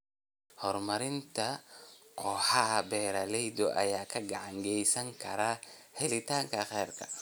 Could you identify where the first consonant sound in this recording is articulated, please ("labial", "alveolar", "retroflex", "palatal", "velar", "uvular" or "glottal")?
glottal